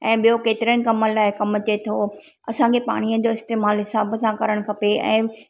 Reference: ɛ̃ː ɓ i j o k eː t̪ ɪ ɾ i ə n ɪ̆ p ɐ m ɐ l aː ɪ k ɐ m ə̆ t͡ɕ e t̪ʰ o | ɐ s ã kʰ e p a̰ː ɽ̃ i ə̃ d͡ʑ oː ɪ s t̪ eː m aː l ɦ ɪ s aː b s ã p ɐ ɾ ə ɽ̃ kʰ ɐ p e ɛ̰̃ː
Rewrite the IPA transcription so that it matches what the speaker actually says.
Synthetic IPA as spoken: ɛ̃ː ɓ i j o k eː t̪ ɪ ɾ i ə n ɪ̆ k ɐ m ə l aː ɪ k ɐ m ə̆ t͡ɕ e t̪ʰ o | ɐ s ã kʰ e p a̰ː ɽ̃ i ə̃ d͡ʑ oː ɪ s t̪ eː m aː l ɦ ɪ s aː b s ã k ɐ ɾ ə ɽ̃ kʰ ɐ p e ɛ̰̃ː